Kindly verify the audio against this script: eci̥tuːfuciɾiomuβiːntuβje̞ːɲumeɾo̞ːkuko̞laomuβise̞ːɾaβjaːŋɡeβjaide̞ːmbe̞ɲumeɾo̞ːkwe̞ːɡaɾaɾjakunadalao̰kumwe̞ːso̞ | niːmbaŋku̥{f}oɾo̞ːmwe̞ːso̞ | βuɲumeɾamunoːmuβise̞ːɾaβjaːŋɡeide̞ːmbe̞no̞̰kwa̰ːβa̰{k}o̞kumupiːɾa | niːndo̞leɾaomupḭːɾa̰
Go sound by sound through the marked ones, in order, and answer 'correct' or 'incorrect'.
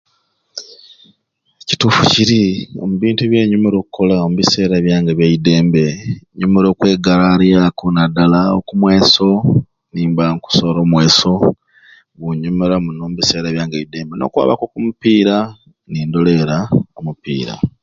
incorrect: s, correct

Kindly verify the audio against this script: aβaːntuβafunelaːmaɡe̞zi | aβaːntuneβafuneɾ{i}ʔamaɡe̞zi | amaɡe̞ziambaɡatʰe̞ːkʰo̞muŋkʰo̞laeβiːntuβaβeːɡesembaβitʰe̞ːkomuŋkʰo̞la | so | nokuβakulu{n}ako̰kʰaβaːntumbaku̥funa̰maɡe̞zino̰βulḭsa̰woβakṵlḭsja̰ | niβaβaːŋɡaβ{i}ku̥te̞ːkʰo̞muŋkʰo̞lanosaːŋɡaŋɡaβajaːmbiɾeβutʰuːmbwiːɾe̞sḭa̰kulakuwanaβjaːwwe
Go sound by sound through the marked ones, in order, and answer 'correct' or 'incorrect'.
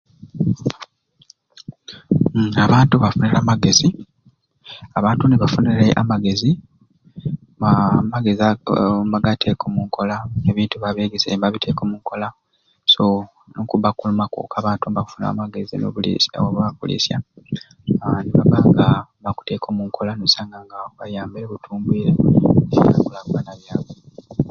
incorrect: e, incorrect: m, incorrect: a

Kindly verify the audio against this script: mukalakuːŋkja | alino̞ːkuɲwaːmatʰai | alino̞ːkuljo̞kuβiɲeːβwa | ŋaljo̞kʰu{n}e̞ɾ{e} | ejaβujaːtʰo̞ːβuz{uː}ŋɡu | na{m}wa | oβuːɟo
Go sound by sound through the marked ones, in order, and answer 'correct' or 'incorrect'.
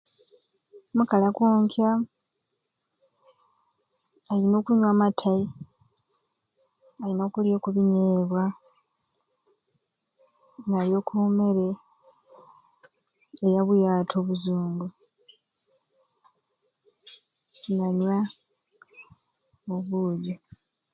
incorrect: m, correct, correct, incorrect: ɲ

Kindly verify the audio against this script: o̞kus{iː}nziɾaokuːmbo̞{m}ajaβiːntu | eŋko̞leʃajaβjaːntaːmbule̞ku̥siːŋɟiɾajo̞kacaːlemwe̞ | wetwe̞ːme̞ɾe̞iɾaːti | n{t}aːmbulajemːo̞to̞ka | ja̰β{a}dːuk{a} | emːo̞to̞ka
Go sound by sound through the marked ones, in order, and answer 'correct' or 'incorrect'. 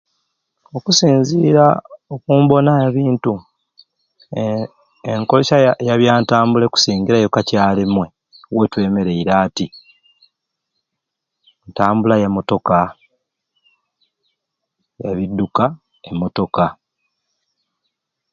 correct, incorrect: n, correct, incorrect: i, correct

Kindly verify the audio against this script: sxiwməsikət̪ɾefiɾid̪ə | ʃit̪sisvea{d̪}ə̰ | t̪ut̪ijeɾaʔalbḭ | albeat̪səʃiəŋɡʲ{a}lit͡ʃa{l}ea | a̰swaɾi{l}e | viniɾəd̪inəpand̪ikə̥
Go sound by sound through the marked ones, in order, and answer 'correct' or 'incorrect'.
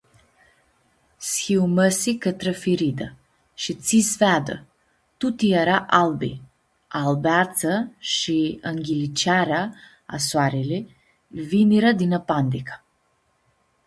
correct, incorrect: i, incorrect: ɾ, correct

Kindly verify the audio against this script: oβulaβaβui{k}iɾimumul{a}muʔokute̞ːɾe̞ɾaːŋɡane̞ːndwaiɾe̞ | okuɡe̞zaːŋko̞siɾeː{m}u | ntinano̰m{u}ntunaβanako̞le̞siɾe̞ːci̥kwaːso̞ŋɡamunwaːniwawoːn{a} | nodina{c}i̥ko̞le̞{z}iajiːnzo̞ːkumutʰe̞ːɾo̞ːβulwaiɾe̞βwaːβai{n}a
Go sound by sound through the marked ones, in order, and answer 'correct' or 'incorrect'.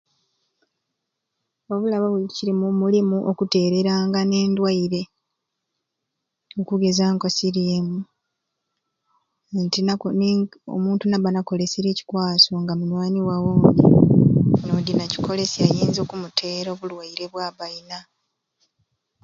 incorrect: c, incorrect: i, correct, incorrect: uː, incorrect: i, correct, incorrect: s, correct

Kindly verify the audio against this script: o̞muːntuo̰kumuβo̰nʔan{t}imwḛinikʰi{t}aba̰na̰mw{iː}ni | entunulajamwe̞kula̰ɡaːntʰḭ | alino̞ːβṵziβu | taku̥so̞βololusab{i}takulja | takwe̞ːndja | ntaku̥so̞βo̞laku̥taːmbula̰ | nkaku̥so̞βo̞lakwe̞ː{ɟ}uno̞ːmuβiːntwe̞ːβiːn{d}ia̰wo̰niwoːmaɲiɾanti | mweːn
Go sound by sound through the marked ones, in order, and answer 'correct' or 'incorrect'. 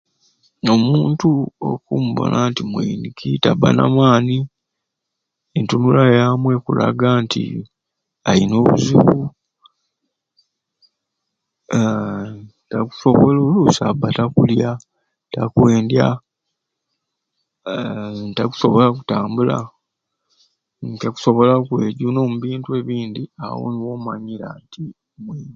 correct, correct, incorrect: aː, incorrect: a, correct, correct

